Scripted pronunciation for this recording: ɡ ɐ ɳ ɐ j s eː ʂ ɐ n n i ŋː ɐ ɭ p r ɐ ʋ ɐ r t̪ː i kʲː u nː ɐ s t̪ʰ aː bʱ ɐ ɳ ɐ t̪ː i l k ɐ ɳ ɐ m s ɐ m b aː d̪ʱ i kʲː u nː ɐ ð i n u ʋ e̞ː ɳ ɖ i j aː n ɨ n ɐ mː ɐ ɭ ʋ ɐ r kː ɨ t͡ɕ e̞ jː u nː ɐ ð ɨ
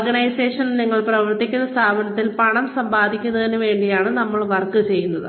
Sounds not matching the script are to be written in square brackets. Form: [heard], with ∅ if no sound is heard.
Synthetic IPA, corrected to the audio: ɡ ɐ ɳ ɐ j s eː ʂ ɐ n n i ŋː ɐ ɭ p r ɐ ʋ ɐ r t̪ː i kʲː u nː ɐ s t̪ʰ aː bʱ ɐ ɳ ɐ t̪ː i l [p] ɐ ɳ ɐ m s ɐ m b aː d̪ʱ i kʲː u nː ɐ ð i n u ʋ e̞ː ɳ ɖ i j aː [ɳ] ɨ n ɐ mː ɐ ɭ ʋ ɐ r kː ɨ t͡ɕ e̞ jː u nː ɐ ð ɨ